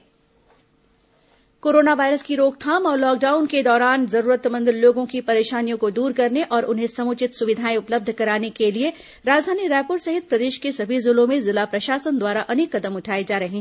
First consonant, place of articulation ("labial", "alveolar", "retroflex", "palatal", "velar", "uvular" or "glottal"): velar